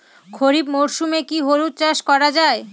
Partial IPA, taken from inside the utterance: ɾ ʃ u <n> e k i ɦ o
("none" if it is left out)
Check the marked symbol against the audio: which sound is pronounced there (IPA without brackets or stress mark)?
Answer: m